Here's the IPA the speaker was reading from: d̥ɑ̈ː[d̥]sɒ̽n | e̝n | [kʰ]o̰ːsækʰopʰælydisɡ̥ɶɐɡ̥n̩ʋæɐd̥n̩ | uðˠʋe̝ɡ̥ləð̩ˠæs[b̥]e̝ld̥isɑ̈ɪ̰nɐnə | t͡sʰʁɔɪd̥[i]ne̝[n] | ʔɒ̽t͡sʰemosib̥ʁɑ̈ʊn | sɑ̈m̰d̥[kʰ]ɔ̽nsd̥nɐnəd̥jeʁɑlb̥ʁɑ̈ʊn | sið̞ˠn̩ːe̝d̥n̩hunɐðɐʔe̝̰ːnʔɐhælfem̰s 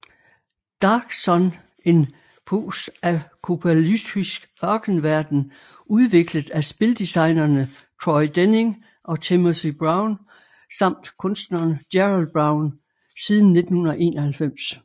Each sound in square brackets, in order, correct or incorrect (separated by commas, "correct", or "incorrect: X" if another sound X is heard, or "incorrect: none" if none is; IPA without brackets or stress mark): incorrect: ɡ̥, incorrect: pʰ, correct, incorrect: e, incorrect: ŋ, correct